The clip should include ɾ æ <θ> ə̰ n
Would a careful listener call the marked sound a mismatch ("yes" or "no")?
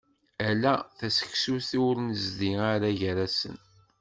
yes